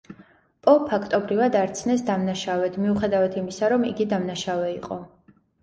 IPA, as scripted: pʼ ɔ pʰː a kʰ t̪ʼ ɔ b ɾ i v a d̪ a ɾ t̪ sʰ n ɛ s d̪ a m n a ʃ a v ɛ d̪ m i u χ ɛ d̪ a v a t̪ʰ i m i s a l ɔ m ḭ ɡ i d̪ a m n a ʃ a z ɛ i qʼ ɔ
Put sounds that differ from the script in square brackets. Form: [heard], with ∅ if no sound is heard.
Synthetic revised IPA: pʼ ɔ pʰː a kʰ t̪ʼ ɔ b ɾ i v a d̪ a ɾ t̪ sʰ n ɛ s d̪ a m n a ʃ a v ɛ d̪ m i u χ ɛ d̪ a v a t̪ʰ i m i s a [ɾ] ɔ m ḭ ɡ i d̪ a m n a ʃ a [v] ɛ i qʼ ɔ